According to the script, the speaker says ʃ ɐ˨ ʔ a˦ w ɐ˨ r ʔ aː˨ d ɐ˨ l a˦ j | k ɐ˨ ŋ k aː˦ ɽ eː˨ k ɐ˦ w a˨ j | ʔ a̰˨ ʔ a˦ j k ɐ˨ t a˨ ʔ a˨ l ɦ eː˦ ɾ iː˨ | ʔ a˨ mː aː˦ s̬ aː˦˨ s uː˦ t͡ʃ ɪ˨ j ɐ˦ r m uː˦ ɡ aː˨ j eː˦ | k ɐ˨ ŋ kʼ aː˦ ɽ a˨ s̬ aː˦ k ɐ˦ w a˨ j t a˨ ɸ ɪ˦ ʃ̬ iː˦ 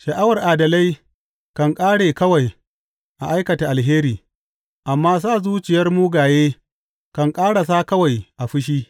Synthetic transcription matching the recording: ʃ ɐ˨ ʔ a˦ w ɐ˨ r ʔ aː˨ d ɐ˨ l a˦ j | k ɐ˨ ŋ kʼ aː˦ ɽ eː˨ k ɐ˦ w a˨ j | ʔ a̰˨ ʔ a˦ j k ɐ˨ t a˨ ʔ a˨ l ɦ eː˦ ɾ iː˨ | ʔ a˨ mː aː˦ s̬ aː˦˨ z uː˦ t͡ʃ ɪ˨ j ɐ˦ r m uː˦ ɡ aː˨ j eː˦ | k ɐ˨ ŋ kʼ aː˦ ɽ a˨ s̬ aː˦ k ɐ˦ w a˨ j ʔ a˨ ɸ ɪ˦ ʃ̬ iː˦